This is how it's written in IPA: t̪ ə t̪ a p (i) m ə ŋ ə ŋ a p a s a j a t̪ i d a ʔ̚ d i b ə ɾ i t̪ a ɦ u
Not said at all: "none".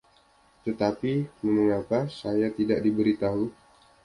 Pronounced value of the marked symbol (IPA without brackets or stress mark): i